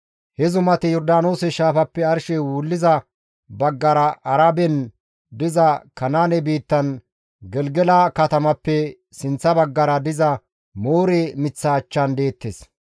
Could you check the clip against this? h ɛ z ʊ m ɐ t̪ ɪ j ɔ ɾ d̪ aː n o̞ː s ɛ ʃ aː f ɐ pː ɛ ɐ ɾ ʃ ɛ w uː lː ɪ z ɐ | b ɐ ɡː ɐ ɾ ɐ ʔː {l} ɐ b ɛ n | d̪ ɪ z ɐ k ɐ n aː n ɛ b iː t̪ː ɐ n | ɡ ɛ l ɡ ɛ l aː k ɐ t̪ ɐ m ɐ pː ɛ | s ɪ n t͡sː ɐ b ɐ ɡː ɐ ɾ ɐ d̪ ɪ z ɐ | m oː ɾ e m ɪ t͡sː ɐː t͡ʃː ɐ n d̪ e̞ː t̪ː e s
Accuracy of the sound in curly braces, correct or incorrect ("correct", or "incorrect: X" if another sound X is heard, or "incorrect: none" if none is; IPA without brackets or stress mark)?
incorrect: ɾ